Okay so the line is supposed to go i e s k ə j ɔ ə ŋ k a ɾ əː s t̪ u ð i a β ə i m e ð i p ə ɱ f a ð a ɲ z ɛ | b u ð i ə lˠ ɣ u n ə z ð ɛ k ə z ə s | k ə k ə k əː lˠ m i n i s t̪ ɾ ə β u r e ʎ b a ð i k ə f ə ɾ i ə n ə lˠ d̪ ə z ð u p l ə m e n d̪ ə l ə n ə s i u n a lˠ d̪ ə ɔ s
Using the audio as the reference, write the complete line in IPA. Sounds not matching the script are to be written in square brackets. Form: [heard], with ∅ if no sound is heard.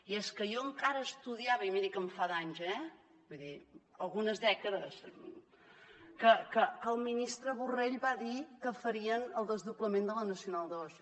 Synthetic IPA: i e s k ə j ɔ ə ŋ k a ɾ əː s t̪ u ð i a β ə i m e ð i [k] ə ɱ f a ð a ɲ z ɛ | b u ð i ə lˠ ɣ u n ə z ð ɛ k ə [ð] ə s | k ə k ə k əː lˠ m i n i s t̪ ɾ ə β u r e ʎ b a ð i k ə f ə ɾ i ə n ə lˠ d̪ ə z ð u p l ə m e n d̪ ə l ə n ə s i u n a lˠ d̪ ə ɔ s